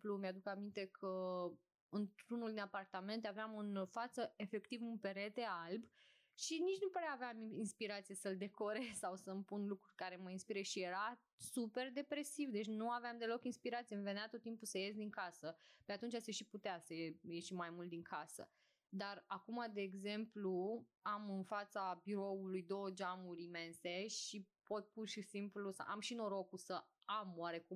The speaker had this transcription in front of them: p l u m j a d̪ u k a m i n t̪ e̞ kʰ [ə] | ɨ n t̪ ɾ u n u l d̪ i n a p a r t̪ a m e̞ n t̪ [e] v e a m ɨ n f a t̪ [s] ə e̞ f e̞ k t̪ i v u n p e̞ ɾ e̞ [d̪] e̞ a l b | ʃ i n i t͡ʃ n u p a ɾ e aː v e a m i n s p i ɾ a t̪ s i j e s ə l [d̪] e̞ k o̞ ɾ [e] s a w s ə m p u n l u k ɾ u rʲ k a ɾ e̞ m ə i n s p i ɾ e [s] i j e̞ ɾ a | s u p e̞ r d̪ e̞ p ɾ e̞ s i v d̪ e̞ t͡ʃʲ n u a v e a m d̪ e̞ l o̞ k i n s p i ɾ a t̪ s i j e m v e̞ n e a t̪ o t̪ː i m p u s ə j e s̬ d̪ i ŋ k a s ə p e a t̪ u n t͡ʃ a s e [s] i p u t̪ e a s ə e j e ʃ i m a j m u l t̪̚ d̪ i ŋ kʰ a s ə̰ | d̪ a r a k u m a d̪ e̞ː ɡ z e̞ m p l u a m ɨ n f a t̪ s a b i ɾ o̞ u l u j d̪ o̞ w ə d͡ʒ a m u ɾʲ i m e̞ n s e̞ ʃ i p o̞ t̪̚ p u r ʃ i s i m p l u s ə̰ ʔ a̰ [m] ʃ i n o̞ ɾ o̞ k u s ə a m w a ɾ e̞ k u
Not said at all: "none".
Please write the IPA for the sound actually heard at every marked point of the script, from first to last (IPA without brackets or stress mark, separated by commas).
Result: ə, a, s, t̪, d̪, e, ʃ, ʃ, m